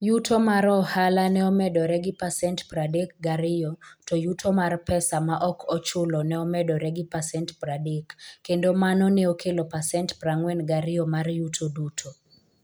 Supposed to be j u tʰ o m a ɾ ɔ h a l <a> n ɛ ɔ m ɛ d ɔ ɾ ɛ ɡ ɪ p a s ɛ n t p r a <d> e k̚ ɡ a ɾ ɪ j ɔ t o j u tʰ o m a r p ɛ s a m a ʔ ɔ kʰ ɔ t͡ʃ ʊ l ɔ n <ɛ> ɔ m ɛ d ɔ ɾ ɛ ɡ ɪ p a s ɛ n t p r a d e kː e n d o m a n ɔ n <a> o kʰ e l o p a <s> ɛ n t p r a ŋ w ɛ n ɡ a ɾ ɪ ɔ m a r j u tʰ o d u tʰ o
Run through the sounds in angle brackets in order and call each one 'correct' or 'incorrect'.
correct, correct, correct, incorrect: ɛ, correct

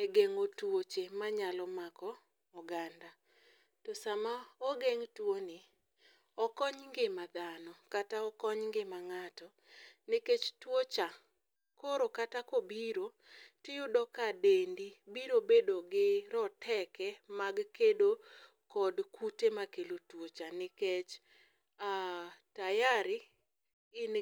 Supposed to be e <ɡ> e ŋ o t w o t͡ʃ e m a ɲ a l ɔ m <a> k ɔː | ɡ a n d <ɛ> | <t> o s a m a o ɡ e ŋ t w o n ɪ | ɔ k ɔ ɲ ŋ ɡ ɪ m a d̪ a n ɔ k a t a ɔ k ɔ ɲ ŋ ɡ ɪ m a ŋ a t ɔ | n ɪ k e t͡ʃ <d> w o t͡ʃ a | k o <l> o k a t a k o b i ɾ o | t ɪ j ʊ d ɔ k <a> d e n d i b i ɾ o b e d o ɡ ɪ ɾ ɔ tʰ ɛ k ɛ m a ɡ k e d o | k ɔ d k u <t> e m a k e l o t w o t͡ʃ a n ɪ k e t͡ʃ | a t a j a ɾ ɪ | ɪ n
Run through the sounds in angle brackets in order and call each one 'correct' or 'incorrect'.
correct, correct, incorrect: a, correct, incorrect: t, incorrect: ɾ, correct, correct

